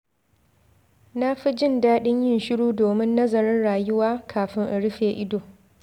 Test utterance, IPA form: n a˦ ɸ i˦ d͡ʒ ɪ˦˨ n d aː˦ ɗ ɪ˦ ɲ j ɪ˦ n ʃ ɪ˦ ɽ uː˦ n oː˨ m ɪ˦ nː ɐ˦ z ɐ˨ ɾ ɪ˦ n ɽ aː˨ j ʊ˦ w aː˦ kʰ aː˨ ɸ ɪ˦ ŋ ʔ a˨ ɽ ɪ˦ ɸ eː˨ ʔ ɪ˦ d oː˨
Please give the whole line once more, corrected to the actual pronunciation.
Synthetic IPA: n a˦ ɸ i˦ d͡ʒ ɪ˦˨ n d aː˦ ɗ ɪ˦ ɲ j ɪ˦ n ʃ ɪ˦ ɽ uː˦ d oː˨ m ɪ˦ nː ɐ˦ z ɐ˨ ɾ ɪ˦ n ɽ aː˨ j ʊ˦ w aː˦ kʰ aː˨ ɸ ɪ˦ ŋ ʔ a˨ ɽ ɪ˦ ɸ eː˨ ʔ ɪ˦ d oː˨